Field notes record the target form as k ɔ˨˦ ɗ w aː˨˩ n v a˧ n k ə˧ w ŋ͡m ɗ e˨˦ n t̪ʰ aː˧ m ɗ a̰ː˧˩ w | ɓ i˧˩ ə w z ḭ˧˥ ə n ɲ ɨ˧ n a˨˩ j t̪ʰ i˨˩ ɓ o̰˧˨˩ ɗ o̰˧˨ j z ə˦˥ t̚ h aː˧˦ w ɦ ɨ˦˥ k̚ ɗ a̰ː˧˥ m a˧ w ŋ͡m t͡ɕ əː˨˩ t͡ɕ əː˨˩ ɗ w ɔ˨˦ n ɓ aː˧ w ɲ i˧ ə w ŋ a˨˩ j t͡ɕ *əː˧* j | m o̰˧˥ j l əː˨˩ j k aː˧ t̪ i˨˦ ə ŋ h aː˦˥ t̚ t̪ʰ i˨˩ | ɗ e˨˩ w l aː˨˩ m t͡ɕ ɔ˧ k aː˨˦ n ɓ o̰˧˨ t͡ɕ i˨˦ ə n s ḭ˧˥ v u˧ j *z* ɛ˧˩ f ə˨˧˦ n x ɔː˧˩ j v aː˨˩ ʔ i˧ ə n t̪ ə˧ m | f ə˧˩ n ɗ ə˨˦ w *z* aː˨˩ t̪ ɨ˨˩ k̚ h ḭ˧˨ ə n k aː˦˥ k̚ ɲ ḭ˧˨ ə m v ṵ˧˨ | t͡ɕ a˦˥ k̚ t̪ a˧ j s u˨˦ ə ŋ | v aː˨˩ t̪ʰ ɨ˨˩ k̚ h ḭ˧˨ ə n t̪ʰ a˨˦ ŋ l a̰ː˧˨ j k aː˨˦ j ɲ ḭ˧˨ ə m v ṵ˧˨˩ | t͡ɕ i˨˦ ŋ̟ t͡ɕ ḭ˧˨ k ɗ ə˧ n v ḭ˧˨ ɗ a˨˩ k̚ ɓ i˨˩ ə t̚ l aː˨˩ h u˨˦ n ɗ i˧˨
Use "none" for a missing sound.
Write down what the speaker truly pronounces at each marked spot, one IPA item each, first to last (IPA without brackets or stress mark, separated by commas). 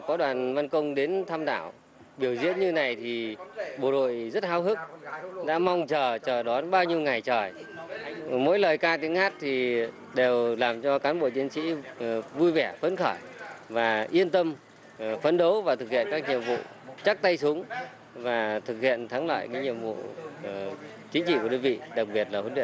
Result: əː˨˩, v, v